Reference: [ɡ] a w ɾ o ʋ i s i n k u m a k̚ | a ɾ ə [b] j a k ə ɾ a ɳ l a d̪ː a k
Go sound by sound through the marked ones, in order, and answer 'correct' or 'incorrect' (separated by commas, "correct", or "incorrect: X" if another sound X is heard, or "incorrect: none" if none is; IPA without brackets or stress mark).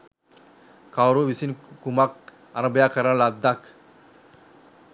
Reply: incorrect: k, correct